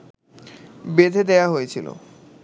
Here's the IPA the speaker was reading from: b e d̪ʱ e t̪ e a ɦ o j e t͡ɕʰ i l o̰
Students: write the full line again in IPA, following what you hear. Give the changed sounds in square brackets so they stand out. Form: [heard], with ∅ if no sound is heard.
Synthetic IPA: b e d̪ʱ e [d̪] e a ɦ o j e t͡ɕʰ i l o̰

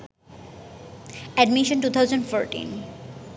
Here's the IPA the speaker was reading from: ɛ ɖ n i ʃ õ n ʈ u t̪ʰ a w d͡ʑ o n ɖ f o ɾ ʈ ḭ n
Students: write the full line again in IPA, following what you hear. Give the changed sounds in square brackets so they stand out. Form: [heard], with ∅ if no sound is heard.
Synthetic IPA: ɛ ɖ [m] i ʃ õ n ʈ u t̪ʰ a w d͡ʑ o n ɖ f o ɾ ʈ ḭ n

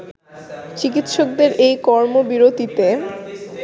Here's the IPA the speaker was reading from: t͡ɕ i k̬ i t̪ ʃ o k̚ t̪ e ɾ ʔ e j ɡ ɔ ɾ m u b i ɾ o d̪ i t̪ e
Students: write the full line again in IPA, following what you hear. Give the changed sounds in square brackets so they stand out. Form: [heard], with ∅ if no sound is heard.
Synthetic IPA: t͡ɕ i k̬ i t̪ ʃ o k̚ [d̪] e ɾ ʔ e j [k] ɔ ɾ m [o] b i ɾ o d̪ i t̪ e

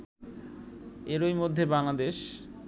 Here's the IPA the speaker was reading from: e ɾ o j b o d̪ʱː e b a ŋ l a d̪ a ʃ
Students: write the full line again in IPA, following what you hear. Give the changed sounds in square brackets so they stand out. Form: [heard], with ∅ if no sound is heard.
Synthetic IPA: e ɾ o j [m] o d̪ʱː e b a ŋ l a d̪ [e] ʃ

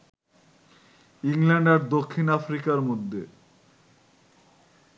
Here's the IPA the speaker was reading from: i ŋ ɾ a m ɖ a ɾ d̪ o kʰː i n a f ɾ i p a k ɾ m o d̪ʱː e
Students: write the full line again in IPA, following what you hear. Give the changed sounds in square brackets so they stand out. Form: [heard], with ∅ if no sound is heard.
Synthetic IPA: i ŋ [l] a [ɳ] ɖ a ɾ d̪ o kʰː i n a f ɾ i [k] a [∅] ɾ m o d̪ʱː e

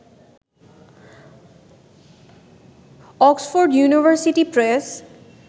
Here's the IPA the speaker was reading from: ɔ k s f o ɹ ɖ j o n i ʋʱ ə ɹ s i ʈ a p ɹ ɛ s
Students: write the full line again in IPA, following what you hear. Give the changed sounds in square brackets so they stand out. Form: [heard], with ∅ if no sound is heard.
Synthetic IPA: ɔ k s f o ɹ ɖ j [u] n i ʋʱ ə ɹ s i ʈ [i] p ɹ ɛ s

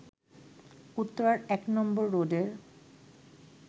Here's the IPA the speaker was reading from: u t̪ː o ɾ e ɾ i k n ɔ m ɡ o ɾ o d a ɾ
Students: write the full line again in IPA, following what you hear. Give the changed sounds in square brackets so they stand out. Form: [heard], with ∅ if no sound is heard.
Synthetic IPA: u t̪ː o ɾ [a] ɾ [ɛ] k n ɔ m [b] o [ɾː] o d [e] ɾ

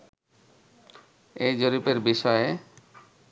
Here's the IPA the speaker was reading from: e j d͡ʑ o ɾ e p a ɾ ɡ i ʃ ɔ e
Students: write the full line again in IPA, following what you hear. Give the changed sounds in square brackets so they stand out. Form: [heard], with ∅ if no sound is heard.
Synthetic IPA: e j d͡ʑ o ɾ [i] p [e] ɾ [b] i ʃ ɔ e

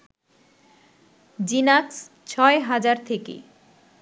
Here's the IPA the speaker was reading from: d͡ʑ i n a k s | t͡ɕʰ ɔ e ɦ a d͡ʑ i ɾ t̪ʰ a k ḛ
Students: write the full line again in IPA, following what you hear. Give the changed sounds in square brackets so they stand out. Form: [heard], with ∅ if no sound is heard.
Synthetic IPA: d͡ʑ i n a k s | t͡ɕʰ ɔ e ɦ a d͡ʑ [a] ɾ t̪ʰ [e] k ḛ

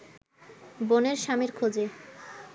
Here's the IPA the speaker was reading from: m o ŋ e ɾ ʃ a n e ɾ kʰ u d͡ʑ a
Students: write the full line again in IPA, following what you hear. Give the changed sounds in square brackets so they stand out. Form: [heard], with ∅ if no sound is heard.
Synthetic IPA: [b] o [n] e ɾ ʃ a [m] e ɾ kʰ [o] d͡ʑ [e]

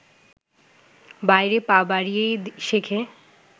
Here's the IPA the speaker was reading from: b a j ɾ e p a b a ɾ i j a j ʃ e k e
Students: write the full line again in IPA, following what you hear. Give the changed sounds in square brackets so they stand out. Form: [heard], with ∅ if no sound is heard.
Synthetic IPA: b a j ɾ e p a b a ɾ i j [e] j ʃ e [kʰ] e

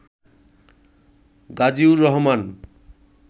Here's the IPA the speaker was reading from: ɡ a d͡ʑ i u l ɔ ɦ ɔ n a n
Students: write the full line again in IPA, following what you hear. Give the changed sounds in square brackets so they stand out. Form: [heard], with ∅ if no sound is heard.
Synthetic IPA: ɡ a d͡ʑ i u [ɾ] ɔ ɦ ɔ [m] a n

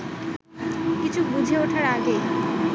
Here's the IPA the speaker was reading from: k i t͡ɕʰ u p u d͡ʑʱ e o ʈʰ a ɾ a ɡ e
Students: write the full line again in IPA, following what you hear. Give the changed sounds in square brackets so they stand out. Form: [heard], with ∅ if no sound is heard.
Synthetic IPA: k i t͡ɕʰ u [b] u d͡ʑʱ e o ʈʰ a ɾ a ɡ e

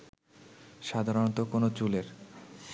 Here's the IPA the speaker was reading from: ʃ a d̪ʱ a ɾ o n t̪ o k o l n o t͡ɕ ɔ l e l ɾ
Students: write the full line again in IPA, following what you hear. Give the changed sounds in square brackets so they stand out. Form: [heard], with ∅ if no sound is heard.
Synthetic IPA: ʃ a d̪ʱ a ɾ o n t̪ o k o [∅] n o t͡ɕ [u] l e [∅] ɾ

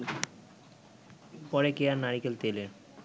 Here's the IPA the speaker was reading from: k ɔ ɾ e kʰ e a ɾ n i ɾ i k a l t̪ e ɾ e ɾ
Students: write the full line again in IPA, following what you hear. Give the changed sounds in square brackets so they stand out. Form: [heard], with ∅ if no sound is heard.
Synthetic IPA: [p] ɔ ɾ e [k] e a ɾ n [a] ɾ i k [e] l t̪ e [l] e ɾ

